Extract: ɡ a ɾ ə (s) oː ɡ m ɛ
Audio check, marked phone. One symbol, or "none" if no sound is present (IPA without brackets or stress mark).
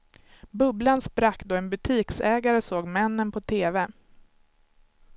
s